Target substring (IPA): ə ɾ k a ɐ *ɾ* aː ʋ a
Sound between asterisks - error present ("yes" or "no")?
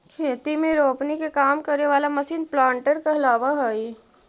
yes